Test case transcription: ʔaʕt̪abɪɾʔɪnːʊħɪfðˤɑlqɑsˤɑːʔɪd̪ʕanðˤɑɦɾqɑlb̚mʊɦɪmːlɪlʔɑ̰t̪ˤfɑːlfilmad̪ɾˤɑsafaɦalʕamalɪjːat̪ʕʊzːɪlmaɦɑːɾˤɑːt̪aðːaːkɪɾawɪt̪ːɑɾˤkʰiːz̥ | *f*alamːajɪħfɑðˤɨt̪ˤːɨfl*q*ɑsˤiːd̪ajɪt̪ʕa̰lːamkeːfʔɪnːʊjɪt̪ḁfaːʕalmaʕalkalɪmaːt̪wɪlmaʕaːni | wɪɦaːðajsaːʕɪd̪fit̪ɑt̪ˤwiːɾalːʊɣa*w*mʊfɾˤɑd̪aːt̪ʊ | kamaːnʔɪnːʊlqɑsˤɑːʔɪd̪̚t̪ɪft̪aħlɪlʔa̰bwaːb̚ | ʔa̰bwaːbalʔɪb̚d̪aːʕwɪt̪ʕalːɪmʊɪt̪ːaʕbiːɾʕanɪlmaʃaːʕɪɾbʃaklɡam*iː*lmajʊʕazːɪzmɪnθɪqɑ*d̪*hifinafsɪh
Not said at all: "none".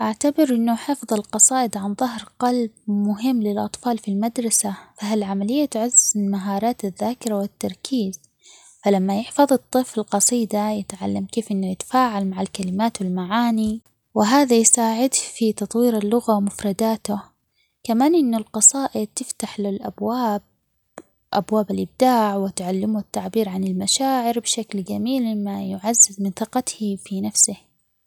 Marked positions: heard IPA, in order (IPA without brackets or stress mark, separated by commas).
f, q, w, iː, t̪